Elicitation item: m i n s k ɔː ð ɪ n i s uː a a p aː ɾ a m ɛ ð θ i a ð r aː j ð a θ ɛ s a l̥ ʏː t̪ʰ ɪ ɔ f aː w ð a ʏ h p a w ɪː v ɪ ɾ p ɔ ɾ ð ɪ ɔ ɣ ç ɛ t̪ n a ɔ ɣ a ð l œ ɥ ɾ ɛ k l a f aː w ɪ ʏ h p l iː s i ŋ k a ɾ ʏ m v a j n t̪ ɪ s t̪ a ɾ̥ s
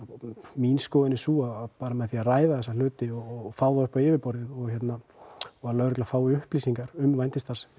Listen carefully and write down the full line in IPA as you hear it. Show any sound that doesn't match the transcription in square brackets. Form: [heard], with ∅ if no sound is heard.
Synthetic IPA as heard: m i n s k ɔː ð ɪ n [ɪ] s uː a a p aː ɾ a m ɛ ð θ i a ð r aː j ð a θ ɛ s a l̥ ʏː [t̪] ɪ ɔ f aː w ð a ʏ h p a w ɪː v ɪ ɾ p ɔ ɾ ð ɪ ɔ ɣ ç ɛ t̪ n a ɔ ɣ a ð l œ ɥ ɾ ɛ k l a f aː w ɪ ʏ h p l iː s i ŋ k a ɾ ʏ m v a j n t̪ ɪ s t̪ a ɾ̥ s